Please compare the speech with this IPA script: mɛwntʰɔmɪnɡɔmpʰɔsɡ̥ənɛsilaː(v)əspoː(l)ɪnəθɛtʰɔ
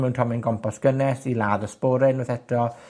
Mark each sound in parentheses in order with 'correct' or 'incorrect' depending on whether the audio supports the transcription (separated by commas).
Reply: incorrect, incorrect